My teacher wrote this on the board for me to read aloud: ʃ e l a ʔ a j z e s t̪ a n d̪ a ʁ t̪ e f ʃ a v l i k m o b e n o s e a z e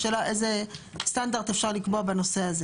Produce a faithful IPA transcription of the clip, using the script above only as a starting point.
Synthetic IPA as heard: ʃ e l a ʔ e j z e s t̪ a n d̪ a ʁ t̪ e f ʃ a ʁ l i k b o b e n o s e a z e